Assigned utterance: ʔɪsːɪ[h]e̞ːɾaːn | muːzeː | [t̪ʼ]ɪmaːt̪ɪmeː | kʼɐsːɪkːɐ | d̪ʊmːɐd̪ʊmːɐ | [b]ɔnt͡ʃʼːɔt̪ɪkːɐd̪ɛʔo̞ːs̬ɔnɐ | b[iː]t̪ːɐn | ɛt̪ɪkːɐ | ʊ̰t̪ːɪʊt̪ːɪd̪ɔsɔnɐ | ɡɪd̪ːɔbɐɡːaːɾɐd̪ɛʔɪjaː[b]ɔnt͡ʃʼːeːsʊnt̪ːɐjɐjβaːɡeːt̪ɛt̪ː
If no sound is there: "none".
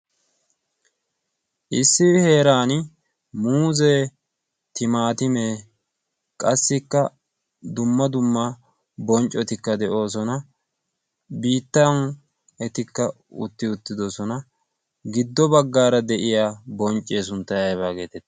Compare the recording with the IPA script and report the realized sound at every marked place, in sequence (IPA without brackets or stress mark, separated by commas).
h, t̪, b, iː, b